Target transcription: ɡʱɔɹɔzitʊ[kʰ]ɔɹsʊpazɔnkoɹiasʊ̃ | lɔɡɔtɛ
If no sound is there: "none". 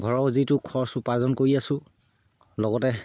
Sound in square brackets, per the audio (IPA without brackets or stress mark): kʰ